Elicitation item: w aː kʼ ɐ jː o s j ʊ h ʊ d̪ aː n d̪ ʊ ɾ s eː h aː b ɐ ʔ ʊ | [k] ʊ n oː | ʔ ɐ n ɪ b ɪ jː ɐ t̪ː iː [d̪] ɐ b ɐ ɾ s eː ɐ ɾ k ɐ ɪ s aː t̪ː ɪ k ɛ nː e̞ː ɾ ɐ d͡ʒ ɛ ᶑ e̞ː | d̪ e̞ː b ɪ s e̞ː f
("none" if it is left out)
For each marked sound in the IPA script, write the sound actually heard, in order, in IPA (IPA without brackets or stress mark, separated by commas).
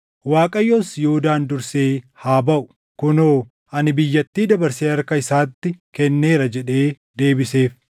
k, d̪